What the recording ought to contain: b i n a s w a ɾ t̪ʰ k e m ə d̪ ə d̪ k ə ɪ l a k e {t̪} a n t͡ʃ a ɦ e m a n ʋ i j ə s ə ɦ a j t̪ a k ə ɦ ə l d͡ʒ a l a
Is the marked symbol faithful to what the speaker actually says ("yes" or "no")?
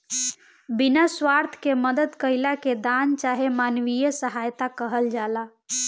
no